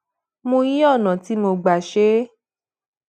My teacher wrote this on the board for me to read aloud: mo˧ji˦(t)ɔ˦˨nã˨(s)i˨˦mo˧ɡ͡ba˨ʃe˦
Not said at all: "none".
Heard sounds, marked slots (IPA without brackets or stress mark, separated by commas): none, t